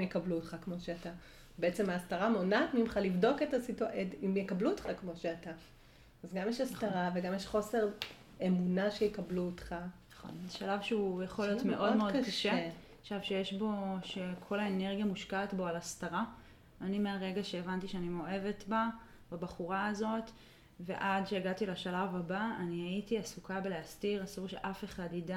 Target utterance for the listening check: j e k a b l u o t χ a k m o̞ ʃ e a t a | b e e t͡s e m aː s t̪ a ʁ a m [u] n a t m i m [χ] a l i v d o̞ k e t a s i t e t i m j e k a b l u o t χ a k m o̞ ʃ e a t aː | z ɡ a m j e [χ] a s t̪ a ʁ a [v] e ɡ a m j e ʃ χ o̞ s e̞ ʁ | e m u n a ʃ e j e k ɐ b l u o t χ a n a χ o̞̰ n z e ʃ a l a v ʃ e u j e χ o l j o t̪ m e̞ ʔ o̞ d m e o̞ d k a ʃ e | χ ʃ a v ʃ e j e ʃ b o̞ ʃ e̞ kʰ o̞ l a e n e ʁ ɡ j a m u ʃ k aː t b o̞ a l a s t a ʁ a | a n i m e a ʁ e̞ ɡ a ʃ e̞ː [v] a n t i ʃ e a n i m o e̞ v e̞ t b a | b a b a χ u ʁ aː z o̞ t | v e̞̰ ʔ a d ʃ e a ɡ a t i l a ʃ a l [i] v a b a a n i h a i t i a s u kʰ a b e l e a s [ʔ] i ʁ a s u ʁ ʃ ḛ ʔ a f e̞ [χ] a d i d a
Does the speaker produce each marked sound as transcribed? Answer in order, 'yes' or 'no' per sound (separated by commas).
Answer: no, yes, no, yes, yes, no, no, yes